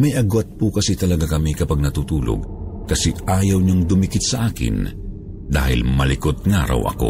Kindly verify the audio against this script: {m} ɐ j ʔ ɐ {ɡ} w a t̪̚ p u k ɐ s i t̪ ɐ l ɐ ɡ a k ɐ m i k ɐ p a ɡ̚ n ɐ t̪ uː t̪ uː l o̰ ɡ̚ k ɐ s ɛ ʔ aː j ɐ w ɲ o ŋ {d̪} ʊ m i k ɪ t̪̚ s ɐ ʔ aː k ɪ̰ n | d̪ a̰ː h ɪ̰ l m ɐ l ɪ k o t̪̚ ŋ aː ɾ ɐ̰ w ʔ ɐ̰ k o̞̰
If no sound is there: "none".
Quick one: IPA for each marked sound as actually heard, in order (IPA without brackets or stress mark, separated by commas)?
m, ɡ, d̪